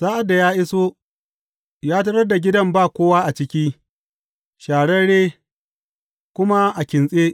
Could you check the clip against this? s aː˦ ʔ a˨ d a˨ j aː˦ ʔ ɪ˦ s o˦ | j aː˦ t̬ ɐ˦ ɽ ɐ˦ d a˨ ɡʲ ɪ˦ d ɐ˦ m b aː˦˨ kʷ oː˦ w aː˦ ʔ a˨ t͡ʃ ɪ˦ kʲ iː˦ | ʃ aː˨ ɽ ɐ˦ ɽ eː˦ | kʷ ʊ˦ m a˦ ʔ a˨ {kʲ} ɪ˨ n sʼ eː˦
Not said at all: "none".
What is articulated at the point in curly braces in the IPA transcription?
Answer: kʲ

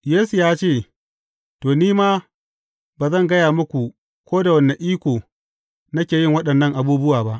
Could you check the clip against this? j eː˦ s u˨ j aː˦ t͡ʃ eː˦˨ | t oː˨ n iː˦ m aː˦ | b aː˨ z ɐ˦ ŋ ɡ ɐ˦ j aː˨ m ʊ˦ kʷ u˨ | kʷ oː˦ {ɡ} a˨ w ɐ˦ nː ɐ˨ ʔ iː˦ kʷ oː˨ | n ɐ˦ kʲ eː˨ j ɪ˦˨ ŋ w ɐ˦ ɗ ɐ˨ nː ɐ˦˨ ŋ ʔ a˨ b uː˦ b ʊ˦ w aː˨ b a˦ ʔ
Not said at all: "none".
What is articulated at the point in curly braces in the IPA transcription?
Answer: d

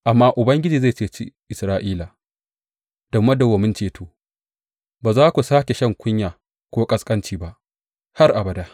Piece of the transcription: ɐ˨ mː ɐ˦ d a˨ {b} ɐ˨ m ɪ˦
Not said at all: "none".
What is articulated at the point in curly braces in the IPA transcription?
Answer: w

